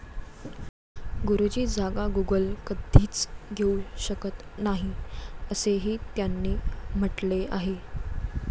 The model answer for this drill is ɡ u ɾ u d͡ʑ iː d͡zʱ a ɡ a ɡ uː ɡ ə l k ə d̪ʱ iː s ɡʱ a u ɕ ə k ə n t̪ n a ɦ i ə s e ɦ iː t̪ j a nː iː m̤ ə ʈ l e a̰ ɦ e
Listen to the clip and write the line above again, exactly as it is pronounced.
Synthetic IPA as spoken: ɡ u ɾ u d͡ʑ iː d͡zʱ a ɡ a ɡ u ɡ ə l k ə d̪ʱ iː t͡s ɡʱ e u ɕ ə k ə t̪ n a ɦ i ə s e ɦ iː t̪ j a nː iː m̤ ə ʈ l e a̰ ɦ e